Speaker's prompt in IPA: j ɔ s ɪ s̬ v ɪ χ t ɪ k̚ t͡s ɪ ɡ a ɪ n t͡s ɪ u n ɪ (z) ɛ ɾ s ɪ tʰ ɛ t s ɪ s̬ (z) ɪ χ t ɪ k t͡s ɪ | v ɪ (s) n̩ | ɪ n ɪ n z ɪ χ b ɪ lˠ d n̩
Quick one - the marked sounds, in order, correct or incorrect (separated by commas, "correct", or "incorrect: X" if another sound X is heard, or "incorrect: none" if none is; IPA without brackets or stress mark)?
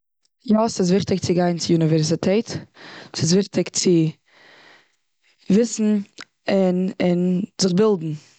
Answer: incorrect: v, incorrect: v, correct